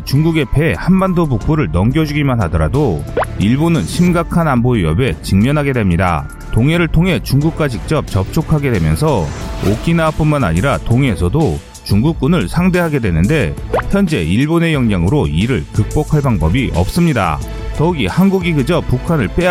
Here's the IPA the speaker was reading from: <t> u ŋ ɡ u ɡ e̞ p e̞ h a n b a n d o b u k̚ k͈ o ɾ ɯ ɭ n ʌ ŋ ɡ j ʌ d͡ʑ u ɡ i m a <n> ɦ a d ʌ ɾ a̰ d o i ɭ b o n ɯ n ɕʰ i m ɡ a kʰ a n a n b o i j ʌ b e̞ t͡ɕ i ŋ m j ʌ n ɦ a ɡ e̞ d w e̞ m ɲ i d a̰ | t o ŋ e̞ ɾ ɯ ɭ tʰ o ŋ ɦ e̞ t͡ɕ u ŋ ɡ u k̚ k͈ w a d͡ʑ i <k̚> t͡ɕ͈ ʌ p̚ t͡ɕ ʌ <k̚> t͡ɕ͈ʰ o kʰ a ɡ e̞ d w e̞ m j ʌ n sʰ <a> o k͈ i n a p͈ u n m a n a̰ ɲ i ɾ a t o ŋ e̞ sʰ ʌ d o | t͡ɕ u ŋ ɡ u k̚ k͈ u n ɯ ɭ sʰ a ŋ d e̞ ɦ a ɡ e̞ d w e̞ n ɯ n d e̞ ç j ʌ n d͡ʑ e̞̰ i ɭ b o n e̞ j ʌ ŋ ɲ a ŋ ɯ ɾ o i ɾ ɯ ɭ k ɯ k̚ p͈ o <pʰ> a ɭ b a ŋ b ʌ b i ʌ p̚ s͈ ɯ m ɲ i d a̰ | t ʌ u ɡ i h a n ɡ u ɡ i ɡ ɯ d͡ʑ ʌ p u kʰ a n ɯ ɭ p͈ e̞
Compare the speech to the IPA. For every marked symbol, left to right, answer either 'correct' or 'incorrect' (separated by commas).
incorrect, correct, correct, incorrect, incorrect, incorrect